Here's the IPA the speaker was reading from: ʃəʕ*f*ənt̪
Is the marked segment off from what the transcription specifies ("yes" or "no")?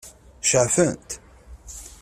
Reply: no